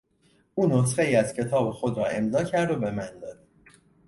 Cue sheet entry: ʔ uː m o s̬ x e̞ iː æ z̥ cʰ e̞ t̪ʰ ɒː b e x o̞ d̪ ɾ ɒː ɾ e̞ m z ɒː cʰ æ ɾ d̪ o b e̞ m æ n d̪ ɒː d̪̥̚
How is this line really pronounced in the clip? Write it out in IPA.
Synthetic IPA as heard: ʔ uː n o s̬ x e̞ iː æ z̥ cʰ e̞ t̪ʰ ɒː b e x o̞ d̪ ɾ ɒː e̞ m z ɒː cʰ æ ɾ d̪ o b e̞ m æ n d̪ ɒː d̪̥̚